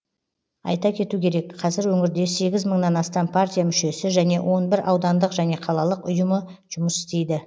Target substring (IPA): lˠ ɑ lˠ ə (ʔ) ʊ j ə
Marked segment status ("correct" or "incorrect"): incorrect